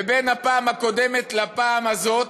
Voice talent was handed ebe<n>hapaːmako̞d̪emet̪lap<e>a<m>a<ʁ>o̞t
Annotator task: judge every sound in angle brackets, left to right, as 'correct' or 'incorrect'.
correct, incorrect, correct, incorrect

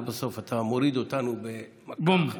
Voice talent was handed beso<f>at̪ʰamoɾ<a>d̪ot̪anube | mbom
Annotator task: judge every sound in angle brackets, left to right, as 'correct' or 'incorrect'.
correct, incorrect

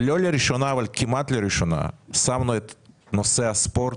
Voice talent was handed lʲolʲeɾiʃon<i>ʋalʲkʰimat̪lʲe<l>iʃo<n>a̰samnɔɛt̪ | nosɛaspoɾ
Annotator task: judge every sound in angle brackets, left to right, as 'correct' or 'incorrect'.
incorrect, incorrect, correct

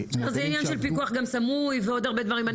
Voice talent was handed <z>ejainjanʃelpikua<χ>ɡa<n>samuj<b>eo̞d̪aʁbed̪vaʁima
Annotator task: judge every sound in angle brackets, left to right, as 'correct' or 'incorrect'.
correct, correct, incorrect, incorrect

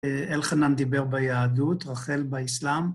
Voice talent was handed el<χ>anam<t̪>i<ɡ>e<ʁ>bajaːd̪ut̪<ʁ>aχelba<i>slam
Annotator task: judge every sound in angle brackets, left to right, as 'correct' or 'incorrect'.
correct, incorrect, incorrect, correct, correct, correct

